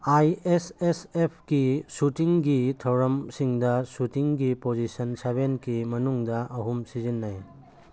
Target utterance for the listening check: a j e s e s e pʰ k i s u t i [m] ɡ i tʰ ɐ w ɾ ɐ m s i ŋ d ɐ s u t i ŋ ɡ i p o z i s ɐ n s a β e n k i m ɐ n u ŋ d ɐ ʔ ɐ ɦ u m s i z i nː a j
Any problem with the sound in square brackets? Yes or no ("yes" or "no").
yes